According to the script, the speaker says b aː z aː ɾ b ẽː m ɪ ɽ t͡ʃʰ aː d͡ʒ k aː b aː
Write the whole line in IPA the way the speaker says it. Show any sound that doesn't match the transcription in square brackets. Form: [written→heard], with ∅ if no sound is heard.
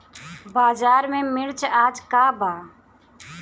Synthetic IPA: b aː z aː ɾ [b→m] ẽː m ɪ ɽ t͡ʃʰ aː d͡ʒ k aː b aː